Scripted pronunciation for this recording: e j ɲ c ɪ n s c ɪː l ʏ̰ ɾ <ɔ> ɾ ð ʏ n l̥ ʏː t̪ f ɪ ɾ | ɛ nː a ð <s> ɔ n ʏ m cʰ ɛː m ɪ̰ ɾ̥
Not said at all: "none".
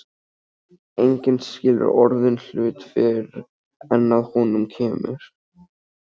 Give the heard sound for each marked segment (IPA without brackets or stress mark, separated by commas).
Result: ɔ, h